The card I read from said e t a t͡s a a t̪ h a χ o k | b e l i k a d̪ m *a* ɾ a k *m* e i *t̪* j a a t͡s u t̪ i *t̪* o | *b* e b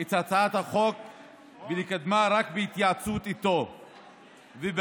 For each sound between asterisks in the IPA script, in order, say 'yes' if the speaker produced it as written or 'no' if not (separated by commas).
yes, no, yes, yes, no